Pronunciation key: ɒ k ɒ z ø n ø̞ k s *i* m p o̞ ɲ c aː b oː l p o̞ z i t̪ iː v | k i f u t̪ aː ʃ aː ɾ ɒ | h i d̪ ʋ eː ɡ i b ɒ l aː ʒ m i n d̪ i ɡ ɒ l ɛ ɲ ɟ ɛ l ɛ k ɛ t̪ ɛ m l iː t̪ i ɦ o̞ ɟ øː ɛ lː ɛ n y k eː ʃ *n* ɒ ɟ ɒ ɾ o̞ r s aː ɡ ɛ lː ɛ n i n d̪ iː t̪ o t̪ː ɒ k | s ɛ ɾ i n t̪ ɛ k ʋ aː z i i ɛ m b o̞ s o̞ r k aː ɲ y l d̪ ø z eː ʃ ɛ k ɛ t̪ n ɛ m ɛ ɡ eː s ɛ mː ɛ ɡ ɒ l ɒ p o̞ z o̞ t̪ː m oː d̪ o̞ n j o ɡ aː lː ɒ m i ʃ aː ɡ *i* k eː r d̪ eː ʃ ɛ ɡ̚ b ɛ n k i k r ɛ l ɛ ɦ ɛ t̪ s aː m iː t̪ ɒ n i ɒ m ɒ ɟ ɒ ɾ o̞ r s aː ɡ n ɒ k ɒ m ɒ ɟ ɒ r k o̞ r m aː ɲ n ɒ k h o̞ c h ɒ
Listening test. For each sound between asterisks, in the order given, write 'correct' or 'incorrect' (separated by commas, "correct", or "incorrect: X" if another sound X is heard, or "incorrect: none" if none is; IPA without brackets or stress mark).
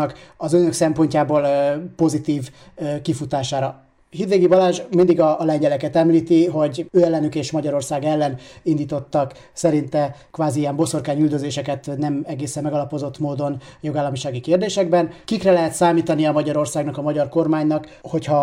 incorrect: ɛ, incorrect: m, correct